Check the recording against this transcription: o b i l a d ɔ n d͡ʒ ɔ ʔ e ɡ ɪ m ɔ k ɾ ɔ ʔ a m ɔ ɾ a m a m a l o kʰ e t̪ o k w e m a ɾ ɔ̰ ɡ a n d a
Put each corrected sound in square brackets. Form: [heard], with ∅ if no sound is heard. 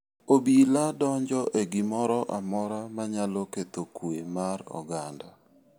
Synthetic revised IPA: o b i l a d ɔ [ɲ] d͡ʒ ɔ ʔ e ɡ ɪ m ɔ [∅] ɾ ɔ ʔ a m ɔ ɾ a m a [ɲ] a l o [k] e t̪ o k w e m a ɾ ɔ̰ ɡ a n d a